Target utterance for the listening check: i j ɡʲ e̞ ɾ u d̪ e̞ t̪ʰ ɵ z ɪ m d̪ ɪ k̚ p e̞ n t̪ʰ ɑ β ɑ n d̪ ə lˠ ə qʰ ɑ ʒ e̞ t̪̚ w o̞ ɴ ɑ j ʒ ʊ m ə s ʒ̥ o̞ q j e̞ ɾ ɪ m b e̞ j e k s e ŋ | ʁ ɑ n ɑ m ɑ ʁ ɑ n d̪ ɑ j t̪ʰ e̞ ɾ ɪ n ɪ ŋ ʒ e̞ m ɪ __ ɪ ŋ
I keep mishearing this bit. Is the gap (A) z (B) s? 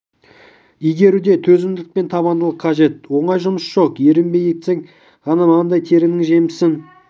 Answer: B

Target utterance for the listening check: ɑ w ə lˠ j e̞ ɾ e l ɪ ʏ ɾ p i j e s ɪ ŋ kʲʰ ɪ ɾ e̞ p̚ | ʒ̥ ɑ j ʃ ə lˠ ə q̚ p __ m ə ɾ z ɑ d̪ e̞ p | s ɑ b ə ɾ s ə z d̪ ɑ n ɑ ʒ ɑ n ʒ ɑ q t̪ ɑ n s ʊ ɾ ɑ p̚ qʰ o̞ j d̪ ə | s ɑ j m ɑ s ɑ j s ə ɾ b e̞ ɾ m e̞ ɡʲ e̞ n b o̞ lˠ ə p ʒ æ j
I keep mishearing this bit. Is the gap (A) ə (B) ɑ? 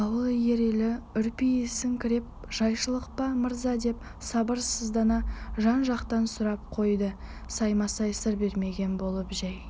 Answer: B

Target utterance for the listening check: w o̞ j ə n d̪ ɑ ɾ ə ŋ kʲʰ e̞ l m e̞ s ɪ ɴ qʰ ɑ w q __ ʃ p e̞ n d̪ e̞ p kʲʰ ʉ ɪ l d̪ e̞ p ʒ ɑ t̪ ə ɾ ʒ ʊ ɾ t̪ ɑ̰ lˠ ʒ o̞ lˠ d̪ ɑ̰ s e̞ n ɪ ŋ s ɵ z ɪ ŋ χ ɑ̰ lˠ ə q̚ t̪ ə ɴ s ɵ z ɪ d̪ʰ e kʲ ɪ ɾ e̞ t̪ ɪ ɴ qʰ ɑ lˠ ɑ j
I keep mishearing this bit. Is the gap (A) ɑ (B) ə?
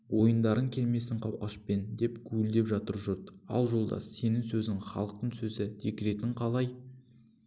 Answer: A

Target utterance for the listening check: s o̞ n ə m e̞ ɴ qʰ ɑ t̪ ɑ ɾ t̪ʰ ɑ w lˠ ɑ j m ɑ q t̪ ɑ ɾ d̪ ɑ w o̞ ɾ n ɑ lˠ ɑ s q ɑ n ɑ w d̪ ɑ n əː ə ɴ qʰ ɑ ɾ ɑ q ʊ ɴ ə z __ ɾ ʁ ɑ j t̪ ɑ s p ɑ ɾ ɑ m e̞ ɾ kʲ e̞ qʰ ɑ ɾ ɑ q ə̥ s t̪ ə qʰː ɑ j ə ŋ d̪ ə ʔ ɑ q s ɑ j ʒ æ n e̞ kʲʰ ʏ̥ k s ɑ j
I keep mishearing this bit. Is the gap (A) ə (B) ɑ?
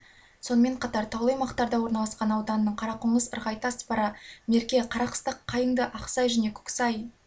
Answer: A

